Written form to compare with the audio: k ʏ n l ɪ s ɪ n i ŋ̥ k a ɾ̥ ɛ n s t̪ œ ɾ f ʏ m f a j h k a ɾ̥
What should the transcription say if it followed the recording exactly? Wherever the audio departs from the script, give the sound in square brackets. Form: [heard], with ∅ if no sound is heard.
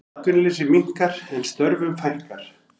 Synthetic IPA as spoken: k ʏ n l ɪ s ɪ [m] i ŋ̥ k a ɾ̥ ɛ n s t̪ œ ɾ [v] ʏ m f a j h k a ɾ̥